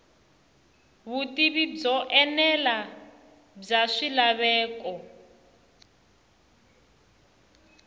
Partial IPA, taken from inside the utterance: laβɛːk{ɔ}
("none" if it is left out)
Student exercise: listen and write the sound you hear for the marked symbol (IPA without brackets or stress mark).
ɔ